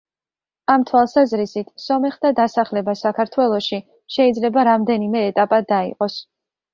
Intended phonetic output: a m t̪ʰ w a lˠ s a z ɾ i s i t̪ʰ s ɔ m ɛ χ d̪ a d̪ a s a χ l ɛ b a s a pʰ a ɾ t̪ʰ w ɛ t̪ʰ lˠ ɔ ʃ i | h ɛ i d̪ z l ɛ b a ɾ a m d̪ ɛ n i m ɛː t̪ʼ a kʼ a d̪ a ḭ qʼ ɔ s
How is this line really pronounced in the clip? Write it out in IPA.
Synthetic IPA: a m t̪ʰ w a lˠ s a z ɾ i s i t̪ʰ s ɔ m ɛ χ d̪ a d̪ a s a χ l ɛ b a s a kʰ a ɾ t̪ʰ w ɛ lˠ ɔ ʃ i | ʃ ɛ i d̪ z l ɛ b a ɾ a m d̪ ɛ n i m ɛː t̪ʼ a pʼ a d̪ a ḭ qʼ ɔ s